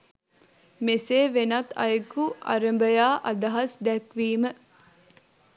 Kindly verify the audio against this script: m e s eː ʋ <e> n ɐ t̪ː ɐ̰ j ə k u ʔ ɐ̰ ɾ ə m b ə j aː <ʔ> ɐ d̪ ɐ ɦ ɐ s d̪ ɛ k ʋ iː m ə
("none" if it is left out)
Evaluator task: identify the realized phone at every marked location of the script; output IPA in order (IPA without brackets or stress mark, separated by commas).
e, ʔ